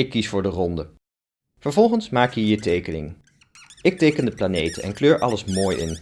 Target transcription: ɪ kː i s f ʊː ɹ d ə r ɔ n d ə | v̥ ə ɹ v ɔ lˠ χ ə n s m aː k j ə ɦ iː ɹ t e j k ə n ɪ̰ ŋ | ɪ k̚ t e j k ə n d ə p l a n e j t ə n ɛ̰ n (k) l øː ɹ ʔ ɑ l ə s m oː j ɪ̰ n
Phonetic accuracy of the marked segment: correct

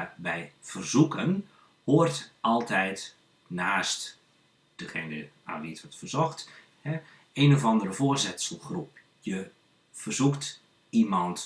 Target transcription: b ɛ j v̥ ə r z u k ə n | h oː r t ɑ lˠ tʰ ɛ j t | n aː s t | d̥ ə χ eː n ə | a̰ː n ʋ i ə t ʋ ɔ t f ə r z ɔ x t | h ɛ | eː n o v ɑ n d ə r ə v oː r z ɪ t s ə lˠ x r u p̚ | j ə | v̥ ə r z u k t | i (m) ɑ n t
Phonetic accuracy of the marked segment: correct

